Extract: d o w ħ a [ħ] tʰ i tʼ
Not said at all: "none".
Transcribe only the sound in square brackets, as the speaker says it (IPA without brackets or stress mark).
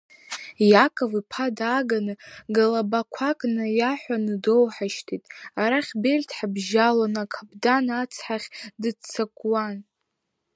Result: ʃ